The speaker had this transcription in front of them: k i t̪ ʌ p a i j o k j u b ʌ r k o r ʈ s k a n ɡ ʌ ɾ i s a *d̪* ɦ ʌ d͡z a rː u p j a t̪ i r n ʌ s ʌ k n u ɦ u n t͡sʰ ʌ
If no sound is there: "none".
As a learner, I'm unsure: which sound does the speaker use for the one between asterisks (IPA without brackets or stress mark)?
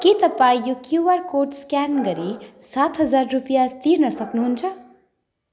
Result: t̪